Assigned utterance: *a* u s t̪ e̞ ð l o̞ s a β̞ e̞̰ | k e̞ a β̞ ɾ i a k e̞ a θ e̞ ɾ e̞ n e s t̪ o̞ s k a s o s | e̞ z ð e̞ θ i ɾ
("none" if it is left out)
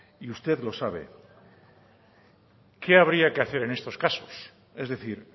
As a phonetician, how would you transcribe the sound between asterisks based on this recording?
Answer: i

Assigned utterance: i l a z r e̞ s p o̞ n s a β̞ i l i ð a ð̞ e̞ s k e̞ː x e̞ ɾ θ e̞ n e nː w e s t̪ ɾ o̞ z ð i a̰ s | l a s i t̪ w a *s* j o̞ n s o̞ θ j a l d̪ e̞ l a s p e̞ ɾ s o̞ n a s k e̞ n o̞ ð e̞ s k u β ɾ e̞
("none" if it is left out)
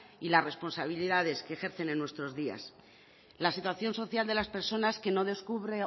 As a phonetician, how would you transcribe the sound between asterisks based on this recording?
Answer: θ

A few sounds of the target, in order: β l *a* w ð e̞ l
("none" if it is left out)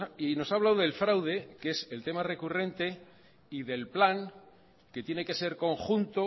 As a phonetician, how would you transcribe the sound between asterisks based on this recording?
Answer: a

